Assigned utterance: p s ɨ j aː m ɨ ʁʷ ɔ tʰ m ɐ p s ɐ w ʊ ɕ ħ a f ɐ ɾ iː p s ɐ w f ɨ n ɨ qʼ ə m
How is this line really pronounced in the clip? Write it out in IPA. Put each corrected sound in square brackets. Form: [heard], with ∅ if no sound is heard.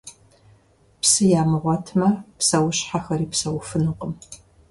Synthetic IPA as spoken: p s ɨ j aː m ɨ ʁʷ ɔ tʰ m ɐ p s ɐ w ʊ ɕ ħ a [x] ɐ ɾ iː p s ɐ w f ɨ n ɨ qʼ ə m